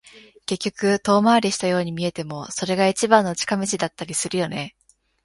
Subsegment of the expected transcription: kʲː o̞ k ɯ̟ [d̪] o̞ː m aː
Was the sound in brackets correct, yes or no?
no